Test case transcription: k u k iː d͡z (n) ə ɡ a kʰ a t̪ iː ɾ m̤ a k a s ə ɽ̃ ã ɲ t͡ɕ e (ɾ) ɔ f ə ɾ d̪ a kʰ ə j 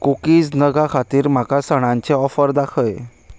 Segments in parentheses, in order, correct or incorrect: correct, incorrect: none

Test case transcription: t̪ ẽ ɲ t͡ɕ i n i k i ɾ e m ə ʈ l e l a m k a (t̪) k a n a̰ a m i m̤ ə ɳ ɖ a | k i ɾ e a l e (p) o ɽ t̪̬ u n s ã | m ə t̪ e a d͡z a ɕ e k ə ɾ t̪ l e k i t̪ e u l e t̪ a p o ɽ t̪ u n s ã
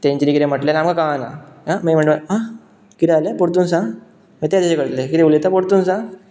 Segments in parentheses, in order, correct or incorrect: incorrect: none, correct

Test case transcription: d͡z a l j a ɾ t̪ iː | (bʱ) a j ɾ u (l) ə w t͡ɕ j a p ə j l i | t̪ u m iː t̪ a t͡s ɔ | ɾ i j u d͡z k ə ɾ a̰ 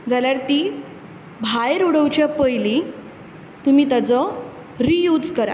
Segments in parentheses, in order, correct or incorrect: correct, incorrect: ɽ

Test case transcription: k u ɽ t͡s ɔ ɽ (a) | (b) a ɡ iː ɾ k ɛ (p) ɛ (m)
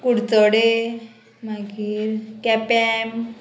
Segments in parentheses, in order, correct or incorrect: incorrect: e, incorrect: m, correct, correct

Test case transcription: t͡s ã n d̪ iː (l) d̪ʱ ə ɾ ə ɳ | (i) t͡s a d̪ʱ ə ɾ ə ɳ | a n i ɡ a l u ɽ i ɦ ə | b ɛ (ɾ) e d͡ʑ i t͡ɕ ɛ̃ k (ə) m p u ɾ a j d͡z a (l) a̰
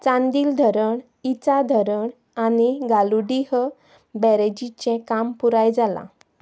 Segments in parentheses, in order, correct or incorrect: correct, correct, correct, incorrect: a, correct

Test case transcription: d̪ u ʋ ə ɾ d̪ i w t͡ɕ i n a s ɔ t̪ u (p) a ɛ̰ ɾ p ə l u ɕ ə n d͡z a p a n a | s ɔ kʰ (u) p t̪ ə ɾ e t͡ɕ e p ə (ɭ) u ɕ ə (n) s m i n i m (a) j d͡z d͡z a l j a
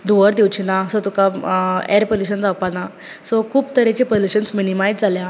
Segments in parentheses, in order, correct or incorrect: incorrect: k, incorrect: uː, incorrect: l, correct, correct

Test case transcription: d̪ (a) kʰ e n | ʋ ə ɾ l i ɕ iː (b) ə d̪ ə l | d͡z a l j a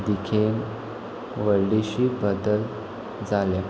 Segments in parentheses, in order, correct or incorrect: incorrect: i, correct

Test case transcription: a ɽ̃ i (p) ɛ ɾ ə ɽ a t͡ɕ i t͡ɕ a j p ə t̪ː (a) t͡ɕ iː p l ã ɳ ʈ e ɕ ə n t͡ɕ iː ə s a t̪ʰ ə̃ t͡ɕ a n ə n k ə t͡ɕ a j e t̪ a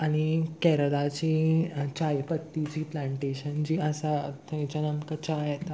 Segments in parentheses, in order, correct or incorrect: incorrect: k, incorrect: i

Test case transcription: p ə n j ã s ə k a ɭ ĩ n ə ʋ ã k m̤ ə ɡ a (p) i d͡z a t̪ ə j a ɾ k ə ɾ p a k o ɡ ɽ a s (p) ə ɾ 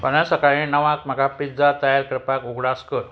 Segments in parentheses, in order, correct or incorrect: correct, incorrect: k

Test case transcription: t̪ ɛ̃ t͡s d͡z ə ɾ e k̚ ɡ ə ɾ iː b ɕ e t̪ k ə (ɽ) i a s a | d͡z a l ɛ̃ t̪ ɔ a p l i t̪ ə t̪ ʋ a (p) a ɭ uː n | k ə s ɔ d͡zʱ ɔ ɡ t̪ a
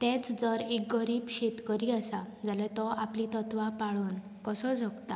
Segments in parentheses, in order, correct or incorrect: incorrect: ɾ, correct

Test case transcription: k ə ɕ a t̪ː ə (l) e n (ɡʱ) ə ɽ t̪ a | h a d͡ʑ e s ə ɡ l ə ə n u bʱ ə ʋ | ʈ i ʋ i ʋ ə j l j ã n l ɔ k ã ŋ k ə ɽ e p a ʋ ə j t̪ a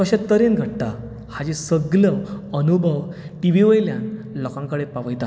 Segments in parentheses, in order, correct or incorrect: incorrect: ɾ, correct

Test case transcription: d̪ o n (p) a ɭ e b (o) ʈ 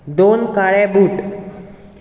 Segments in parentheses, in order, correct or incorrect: incorrect: k, incorrect: u

